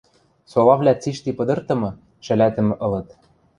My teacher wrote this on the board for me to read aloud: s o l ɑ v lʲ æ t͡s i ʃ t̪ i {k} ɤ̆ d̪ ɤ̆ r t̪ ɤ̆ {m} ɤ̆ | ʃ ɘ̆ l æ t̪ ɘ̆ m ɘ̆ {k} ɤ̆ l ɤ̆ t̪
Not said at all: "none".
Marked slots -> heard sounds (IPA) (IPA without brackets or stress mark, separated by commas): p, m, ʔ